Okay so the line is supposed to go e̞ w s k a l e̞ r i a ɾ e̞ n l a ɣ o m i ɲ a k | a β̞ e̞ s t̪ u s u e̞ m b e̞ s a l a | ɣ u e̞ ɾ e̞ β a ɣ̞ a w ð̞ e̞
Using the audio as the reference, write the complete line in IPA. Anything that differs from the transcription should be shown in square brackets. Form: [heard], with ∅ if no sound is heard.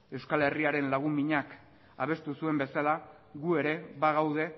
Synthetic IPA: e̞ w s k a l e̞ r i a ɾ e̞ n l a ɣ [u] m i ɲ a k | a β̞ e̞ s t̪ u s u e̞ m b e̞ s a l a | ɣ u e̞ ɾ e̞ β a ɣ̞ a w ð̞ e̞